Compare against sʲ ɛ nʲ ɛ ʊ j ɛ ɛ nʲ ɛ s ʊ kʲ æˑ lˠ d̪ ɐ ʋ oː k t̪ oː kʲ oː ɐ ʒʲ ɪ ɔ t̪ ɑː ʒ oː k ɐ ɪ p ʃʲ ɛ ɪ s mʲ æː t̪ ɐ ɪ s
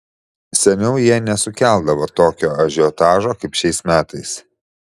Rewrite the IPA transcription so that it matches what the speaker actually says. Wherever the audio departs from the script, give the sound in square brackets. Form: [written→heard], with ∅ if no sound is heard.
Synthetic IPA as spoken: sʲ ɛ nʲ ɛ ʊ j [ɛ→i] ɛ nʲ ɛ s ʊ kʲ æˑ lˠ d̪ ɐ ʋ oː [k→∅] t̪ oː kʲ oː ɐ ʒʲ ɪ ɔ t̪ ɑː ʒ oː k ɐ ɪ p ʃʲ ɛ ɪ s mʲ æː t̪ ɐ ɪ s